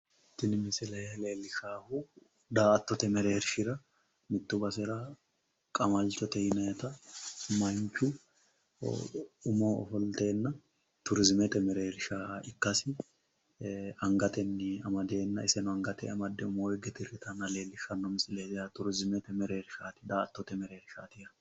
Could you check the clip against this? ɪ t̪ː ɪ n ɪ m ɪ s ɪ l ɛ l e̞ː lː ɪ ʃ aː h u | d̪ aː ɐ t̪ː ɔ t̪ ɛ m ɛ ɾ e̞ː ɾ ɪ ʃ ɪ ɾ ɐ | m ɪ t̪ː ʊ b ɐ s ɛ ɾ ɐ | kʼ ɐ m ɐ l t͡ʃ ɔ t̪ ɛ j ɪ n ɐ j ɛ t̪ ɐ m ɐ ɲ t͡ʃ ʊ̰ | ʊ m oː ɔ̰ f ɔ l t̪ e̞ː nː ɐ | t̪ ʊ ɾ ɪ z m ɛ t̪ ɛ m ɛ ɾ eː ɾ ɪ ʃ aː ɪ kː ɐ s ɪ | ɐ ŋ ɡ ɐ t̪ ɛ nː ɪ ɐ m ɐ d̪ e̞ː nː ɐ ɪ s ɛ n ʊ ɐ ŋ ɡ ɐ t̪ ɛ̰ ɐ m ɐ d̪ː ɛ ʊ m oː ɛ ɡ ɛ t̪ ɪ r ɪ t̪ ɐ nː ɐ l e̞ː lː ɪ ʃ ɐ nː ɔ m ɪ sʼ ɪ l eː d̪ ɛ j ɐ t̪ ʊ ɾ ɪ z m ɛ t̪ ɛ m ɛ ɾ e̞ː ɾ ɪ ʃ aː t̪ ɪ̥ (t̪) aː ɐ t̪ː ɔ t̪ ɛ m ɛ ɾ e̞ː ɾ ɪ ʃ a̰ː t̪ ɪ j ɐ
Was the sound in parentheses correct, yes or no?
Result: no